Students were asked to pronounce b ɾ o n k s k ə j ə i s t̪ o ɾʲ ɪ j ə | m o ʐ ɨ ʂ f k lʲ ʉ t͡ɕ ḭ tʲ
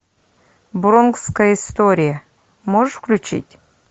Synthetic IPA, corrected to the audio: b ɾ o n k s k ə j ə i s t̪ o ɾʲ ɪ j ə | m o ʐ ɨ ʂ f k lʲ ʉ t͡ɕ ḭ tʲ